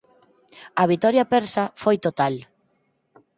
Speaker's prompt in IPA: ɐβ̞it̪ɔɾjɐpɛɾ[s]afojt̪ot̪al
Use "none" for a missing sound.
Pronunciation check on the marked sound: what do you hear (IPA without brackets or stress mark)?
s